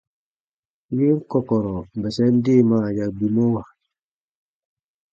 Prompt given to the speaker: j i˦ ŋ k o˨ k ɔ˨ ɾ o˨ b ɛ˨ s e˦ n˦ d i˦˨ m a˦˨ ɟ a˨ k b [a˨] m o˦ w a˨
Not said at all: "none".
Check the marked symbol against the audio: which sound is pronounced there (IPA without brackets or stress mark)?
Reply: i˨